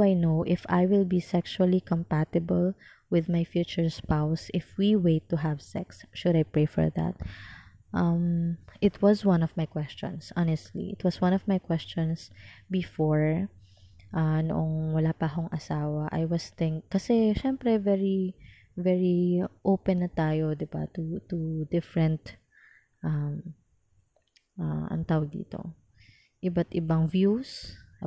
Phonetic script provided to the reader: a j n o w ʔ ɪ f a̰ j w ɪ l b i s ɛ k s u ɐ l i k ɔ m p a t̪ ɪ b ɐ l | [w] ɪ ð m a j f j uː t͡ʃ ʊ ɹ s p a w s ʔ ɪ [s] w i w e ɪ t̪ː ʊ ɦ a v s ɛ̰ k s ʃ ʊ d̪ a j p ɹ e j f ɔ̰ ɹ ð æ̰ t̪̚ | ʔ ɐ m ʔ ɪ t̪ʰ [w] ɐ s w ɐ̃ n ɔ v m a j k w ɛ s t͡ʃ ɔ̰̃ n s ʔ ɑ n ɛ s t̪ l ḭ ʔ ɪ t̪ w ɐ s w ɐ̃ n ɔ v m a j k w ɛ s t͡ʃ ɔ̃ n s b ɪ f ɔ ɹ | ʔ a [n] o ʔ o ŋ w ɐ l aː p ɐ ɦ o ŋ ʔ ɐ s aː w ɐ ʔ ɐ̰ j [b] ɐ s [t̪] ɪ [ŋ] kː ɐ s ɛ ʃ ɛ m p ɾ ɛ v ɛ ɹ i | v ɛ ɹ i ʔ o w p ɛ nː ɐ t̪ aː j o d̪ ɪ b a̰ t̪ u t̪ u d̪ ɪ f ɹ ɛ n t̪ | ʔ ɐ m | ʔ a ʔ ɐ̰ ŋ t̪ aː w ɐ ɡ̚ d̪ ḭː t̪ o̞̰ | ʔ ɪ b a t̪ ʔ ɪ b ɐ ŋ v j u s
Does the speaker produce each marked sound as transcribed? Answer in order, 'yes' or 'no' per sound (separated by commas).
yes, no, yes, yes, no, yes, yes